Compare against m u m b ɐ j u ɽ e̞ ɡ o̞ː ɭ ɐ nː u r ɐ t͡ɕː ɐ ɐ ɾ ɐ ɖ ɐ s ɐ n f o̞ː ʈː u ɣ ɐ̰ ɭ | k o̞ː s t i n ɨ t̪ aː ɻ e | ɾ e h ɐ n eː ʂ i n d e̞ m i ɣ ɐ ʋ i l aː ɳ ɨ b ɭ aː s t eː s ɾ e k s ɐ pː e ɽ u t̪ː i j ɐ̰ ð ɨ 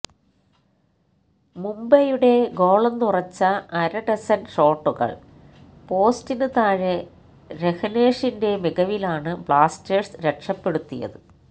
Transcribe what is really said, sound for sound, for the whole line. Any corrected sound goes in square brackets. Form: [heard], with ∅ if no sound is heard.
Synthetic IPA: m u m b ɐ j u ɽ e̞ ɡ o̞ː ɭ ɐ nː u r ɐ t͡ɕː ɐ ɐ ɾ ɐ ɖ ɐ s ɐ n [ʂ] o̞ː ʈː u ɣ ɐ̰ ɭ | [p] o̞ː s t i n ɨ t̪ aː ɻ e | ɾ e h ɐ n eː ʂ i n d e̞ m i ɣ ɐ ʋ i l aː ɳ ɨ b ɭ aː s t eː s ɾ e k [ʂ] ɐ pː e ɽ u t̪ː i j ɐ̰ ð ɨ